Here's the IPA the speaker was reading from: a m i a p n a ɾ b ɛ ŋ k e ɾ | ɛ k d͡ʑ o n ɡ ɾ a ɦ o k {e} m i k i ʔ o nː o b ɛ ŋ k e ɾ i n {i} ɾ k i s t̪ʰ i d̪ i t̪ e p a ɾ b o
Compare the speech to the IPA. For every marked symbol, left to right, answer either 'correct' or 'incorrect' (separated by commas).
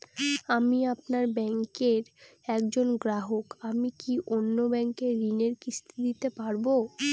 incorrect, incorrect